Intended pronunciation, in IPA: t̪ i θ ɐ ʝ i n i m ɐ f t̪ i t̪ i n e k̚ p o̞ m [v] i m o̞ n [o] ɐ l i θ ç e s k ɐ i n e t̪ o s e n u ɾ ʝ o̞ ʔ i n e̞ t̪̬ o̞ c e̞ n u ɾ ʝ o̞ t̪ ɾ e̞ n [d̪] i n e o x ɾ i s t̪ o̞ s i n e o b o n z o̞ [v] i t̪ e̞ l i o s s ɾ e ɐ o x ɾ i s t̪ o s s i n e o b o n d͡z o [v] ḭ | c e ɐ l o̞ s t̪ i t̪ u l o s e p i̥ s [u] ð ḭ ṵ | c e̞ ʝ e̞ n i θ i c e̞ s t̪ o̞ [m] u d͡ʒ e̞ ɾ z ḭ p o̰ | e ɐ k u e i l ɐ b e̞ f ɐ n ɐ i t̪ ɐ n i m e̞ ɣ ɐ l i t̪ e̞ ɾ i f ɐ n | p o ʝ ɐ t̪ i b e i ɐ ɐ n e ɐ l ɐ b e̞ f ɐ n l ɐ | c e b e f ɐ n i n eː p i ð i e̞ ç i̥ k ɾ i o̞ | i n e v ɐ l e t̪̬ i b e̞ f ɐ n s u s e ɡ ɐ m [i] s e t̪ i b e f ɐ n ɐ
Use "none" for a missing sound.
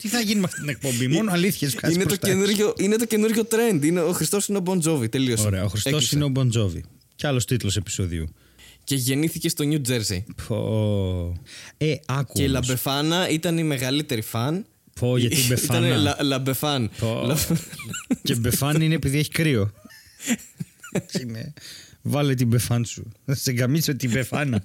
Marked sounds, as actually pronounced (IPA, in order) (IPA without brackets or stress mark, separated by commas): b, o, d̪, v, v, o, ɲ, i